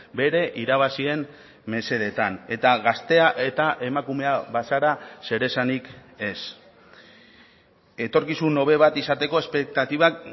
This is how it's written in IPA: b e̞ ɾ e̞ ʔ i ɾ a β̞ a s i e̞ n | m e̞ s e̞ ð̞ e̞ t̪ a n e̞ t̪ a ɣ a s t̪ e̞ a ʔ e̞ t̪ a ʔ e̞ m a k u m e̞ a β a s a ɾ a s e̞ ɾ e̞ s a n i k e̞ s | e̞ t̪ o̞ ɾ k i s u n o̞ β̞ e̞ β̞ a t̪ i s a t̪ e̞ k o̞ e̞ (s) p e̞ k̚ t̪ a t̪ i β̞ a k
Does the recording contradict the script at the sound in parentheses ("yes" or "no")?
no